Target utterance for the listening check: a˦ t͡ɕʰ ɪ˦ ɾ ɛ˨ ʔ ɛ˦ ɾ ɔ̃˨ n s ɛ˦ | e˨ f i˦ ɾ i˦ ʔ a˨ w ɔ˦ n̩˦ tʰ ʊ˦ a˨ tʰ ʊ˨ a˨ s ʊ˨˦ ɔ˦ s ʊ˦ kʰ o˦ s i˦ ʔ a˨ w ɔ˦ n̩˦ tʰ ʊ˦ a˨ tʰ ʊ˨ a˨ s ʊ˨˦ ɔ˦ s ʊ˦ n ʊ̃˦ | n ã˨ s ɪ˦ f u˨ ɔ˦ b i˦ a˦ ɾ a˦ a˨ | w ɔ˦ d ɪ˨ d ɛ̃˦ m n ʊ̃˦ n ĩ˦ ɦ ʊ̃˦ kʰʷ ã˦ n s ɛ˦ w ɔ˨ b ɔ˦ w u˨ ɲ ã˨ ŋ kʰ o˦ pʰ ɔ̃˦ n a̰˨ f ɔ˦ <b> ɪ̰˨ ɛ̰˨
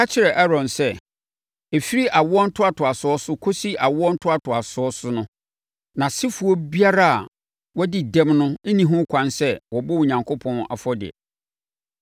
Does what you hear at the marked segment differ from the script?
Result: yes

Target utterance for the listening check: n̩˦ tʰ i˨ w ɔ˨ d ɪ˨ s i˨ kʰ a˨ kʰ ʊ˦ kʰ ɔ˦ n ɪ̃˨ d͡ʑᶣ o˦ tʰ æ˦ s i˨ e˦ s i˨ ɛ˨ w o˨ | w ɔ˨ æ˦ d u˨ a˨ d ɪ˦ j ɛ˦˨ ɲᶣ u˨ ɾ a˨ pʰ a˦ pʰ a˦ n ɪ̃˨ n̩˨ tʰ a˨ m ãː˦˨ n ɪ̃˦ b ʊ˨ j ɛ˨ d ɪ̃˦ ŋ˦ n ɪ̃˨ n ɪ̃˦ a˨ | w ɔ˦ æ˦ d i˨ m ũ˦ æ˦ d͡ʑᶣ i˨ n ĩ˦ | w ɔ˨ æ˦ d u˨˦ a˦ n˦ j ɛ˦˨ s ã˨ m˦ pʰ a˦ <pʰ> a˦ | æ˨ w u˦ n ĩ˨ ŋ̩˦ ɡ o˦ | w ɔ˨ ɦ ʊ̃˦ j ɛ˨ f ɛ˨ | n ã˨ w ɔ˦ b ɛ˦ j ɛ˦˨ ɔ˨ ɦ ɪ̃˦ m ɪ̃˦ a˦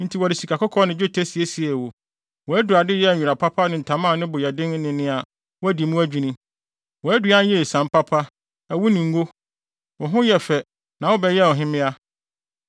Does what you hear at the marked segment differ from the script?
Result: no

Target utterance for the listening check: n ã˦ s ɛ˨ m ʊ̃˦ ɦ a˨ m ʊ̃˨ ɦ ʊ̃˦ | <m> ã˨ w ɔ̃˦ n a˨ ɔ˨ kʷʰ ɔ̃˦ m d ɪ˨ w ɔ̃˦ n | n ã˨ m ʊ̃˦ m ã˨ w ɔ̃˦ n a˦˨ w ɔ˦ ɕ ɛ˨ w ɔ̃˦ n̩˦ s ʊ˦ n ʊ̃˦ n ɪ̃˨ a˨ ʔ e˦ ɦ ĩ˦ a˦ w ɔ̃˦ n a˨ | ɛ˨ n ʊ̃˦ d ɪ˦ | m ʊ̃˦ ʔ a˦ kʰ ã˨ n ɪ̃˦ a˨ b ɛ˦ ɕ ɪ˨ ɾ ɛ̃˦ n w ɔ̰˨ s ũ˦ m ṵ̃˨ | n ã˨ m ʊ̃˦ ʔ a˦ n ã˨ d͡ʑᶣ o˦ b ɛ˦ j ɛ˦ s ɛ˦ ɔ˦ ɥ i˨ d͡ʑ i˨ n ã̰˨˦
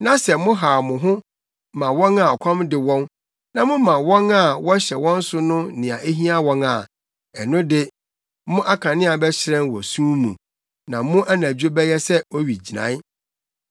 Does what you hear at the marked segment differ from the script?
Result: no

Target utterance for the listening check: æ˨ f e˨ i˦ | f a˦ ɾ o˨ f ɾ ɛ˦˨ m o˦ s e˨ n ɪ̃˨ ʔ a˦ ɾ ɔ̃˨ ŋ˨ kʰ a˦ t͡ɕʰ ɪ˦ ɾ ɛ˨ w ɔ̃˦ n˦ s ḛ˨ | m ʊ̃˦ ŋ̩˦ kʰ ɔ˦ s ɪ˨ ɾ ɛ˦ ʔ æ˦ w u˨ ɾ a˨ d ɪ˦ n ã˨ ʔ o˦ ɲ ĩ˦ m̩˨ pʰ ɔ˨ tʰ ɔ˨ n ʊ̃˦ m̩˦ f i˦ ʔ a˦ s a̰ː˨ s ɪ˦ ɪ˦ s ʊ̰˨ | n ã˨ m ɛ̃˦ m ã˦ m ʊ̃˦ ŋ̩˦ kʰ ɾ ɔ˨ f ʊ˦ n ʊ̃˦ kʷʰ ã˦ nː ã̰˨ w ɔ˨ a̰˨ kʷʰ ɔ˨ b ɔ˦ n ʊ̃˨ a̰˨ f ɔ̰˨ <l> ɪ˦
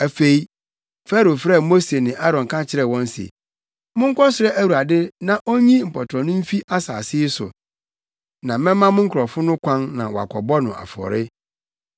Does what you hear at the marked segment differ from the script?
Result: yes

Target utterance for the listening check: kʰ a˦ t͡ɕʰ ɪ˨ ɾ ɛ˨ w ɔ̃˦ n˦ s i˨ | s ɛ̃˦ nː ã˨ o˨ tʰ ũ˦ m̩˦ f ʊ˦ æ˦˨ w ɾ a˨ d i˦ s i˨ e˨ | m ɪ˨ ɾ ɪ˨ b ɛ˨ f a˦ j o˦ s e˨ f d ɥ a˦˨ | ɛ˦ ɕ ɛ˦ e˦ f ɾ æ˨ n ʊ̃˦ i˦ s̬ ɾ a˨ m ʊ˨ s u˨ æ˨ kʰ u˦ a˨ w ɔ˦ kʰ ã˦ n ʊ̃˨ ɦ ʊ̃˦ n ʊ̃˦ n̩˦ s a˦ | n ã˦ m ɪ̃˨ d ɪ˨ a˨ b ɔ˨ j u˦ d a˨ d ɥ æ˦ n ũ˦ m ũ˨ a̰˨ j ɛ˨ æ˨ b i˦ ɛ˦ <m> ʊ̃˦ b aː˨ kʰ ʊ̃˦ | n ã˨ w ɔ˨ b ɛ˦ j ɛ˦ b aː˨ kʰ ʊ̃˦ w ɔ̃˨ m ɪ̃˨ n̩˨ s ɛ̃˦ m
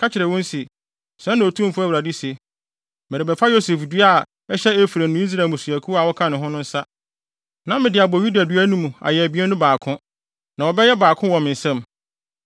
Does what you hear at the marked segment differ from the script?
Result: yes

